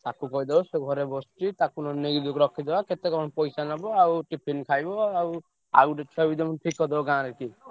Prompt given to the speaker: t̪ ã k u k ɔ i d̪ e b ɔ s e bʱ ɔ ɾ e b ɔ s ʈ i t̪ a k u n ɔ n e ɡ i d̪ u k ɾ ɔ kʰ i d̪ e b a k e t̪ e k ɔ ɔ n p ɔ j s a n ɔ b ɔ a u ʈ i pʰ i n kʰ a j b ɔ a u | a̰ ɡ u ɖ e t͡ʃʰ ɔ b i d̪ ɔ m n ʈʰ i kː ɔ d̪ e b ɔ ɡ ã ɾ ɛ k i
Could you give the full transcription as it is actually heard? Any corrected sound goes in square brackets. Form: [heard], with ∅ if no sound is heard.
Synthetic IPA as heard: t̪ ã k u k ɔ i d̪ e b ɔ s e [ɡʱ] ɔ ɾ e b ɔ s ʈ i t̪ a k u n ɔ n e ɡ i d̪ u k ɾ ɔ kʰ i d̪ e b a k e t̪ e k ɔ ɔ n p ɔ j s a n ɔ b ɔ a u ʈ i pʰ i n kʰ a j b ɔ a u | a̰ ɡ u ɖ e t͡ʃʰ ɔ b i d̪ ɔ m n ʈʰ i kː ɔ d̪ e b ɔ ɡ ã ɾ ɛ k i